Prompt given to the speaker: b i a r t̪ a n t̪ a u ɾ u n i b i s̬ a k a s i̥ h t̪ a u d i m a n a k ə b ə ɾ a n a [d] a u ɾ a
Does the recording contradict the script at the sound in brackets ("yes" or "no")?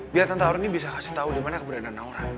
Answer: yes